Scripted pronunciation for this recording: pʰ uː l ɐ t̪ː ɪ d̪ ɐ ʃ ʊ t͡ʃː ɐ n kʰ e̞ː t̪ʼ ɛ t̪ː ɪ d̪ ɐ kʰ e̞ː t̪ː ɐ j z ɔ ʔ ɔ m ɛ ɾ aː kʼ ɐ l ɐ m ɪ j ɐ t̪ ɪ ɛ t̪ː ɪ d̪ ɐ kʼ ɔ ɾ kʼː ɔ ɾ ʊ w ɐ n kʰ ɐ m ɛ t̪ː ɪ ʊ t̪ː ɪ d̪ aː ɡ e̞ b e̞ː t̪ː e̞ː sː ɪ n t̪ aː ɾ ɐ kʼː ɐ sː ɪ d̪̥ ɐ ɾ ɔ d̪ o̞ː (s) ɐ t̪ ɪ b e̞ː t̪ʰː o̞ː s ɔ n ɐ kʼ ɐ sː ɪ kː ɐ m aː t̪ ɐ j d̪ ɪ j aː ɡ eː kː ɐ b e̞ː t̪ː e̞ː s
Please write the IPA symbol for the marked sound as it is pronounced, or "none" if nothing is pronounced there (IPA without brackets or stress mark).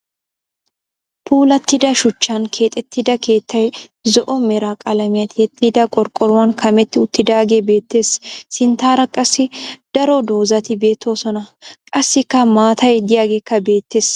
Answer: z